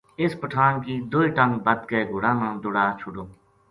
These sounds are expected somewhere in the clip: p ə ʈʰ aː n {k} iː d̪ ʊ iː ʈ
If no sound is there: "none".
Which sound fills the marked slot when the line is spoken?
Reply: k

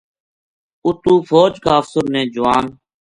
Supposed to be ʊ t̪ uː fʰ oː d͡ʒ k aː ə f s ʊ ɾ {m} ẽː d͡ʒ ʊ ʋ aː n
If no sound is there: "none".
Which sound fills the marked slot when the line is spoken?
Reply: n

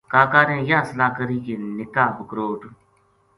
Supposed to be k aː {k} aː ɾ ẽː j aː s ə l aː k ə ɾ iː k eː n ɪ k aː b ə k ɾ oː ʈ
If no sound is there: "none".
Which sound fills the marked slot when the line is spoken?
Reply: k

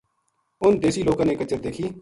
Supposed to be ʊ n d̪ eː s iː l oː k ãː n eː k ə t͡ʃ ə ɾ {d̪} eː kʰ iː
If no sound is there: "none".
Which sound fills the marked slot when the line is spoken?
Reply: d̪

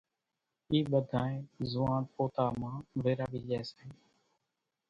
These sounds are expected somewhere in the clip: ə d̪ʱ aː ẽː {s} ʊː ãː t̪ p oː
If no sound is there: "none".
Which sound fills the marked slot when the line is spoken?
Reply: z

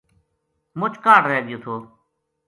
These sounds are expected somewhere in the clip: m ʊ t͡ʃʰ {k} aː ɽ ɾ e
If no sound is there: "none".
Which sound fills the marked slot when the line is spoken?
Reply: k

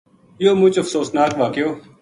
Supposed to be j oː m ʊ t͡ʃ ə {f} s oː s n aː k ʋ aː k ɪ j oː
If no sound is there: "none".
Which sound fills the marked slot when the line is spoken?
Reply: f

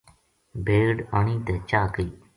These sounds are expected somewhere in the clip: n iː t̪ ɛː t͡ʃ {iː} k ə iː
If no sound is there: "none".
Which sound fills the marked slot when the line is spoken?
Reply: aː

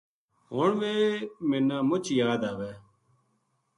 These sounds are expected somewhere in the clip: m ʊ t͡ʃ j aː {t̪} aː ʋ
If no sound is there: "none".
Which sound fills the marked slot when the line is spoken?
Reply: d̪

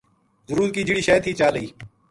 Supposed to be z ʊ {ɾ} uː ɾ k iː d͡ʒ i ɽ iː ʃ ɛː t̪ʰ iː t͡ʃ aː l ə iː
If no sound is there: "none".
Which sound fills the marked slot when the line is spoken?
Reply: ɾ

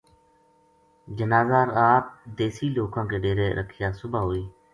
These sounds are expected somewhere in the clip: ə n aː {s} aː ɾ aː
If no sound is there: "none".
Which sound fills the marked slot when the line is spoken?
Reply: z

